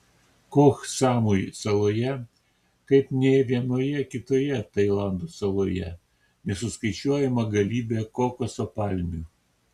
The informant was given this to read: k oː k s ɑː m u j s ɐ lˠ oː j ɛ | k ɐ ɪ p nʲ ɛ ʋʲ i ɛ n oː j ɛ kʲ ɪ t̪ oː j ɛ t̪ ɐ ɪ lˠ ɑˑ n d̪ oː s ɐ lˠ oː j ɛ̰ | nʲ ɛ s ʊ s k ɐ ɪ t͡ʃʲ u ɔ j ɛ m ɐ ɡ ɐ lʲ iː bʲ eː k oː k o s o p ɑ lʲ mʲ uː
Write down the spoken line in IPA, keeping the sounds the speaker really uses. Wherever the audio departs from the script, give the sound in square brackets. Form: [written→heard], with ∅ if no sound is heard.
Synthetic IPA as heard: k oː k s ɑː m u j s ɐ lˠ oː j ɛ | k ɐ ɪ p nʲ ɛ ʋʲ i ɛ n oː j ɛ kʲ ɪ t̪ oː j ɛ t̪ ɐ ɪ lˠ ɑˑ n d̪ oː s ɐ lˠ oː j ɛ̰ | nʲ ɛ s ʊ s k ɐ ɪ t͡ʃʲ u ɔ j ɛ m ɐ ɡ ɐ lʲ iː bʲ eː k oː k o s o p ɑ lʲ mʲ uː